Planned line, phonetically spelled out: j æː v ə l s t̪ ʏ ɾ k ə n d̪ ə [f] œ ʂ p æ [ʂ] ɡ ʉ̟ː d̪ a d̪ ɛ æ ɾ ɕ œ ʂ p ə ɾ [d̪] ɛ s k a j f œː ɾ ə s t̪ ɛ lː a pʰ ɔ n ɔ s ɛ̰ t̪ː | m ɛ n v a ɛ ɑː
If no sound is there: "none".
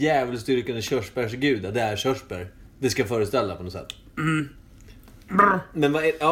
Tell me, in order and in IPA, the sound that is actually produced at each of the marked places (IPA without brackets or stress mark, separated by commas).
ɕ, ʂ, d̪